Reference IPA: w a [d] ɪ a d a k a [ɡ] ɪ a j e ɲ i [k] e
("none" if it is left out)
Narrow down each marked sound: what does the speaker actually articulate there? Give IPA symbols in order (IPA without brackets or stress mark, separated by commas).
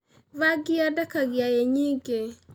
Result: ɡ, ɡ, ɡ